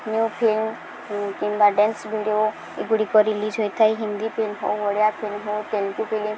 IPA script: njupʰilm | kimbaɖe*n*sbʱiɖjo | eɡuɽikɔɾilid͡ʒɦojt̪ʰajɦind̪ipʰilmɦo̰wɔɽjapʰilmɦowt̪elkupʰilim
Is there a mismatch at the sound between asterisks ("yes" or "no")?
no